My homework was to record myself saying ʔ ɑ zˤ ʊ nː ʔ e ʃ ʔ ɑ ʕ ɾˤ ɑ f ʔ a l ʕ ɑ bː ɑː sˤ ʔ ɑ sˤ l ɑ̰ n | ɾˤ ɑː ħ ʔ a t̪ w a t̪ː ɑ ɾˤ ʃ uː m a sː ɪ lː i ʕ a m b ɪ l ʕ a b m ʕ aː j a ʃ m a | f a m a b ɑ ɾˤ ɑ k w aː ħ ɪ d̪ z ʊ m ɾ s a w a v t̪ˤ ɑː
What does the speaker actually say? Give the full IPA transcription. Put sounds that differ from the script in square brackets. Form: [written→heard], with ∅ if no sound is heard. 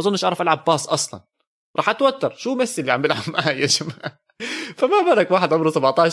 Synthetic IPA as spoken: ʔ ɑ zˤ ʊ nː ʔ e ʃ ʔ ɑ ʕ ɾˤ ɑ f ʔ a l ʕ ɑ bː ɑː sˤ ʔ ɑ sˤ l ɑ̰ n | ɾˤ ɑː ħ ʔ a t̪ w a t̪ː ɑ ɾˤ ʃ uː m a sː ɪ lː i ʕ a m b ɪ l ʕ a b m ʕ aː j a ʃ m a | f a m a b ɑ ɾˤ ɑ k w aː ħ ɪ d̪ [z→ʕ] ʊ m ɾ s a [w→b] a [v→ʕ] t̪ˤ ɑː